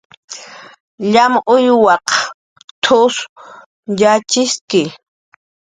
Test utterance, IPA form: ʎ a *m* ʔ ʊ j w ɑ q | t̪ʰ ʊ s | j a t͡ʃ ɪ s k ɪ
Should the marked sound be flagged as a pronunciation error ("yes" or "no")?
no